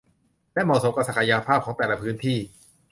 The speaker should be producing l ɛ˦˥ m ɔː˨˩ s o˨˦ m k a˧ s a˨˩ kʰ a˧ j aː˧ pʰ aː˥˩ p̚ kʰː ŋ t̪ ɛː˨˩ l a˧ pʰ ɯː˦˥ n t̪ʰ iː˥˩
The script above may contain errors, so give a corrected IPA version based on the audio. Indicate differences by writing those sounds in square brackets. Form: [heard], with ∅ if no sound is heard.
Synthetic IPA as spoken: l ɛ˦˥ m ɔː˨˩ s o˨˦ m k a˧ s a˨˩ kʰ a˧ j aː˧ pʰ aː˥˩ p̚ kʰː ŋ t̪ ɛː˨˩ l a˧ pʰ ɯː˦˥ n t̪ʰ iː˥˩